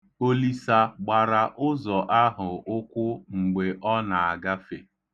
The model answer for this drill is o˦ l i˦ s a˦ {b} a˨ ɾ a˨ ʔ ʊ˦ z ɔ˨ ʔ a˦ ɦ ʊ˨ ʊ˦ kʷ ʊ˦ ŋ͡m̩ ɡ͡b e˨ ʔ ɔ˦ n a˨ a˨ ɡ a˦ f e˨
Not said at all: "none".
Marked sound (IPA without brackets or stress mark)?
ɡ͡b